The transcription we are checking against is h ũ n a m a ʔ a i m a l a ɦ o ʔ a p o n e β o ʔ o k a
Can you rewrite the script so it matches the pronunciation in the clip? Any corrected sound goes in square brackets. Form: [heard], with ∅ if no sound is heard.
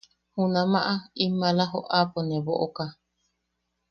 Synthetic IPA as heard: h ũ n a m a ʔ a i m a l a ɦ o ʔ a p o n e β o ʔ o k a